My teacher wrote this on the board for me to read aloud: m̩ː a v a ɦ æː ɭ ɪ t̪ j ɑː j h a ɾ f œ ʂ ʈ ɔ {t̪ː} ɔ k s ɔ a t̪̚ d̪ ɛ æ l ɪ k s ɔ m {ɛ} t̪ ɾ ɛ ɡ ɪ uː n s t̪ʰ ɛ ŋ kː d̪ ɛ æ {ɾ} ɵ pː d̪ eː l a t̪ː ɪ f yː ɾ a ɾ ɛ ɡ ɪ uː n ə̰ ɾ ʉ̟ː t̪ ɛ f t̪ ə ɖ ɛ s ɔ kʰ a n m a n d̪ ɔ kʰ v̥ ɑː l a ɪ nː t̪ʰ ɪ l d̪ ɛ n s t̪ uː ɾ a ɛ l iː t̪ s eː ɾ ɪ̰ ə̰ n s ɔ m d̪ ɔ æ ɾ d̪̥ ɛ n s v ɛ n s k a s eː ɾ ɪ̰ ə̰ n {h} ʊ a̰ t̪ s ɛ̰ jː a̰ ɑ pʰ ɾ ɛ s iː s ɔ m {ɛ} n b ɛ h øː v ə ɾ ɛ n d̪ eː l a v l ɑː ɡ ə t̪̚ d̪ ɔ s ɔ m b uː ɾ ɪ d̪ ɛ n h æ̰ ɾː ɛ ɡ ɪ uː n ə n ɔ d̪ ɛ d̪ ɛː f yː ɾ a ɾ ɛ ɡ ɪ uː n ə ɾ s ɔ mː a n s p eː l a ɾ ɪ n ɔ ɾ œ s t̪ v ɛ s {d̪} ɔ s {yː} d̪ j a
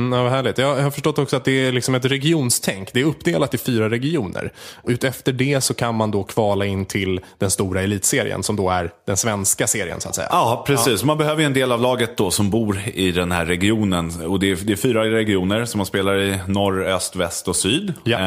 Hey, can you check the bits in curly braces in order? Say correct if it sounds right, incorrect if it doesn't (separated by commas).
correct, correct, correct, incorrect, incorrect, incorrect, correct